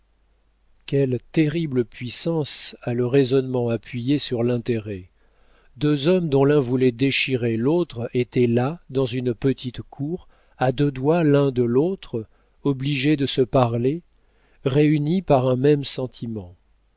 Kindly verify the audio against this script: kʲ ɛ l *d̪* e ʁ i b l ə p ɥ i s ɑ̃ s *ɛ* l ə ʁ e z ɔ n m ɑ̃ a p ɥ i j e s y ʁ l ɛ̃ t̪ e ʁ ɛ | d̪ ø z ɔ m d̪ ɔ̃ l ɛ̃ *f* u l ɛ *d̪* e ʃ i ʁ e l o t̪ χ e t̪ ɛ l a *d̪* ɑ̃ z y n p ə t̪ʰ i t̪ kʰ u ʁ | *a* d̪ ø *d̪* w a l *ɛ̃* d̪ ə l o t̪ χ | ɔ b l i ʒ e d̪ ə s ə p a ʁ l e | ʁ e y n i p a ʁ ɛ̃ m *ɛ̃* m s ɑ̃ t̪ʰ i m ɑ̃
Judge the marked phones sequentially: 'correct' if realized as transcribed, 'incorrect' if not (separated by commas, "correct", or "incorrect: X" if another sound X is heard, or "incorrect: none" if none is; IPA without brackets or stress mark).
incorrect: t̪, incorrect: a, incorrect: v, correct, correct, correct, correct, correct, incorrect: ɛ